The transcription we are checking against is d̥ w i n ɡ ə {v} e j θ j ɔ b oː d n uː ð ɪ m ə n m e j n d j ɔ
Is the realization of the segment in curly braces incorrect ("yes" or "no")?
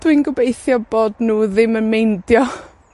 yes